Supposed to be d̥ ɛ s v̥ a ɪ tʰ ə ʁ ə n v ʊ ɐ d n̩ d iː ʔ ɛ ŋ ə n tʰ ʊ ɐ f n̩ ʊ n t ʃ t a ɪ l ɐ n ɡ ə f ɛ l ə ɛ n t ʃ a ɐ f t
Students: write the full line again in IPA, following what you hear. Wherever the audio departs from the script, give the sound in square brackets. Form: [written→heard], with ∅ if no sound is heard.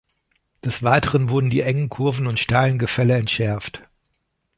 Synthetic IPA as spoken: d̥ ɛ s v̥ a ɪ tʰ ə ʁ ə n v ʊ ɐ d n̩ d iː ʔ ɛ ŋ ə n [tʰ→kʰ] ʊ ɐ [f→v] n̩ ʊ n t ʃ t a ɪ l [ɐ→ə] n ɡ ə f ɛ l ə ɛ n t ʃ [a→ɛ] ɐ f t